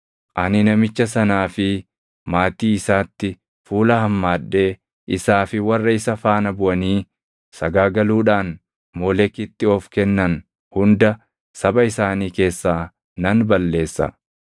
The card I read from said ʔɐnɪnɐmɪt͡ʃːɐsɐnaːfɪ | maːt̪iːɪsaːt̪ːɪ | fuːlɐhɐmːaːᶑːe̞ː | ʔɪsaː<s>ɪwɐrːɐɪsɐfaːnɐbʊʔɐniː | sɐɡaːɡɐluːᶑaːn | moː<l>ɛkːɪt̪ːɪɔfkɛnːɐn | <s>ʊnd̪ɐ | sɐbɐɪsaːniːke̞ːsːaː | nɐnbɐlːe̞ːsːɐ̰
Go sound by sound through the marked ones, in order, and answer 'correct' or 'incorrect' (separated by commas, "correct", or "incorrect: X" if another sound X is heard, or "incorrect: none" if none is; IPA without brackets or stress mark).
incorrect: f, correct, incorrect: h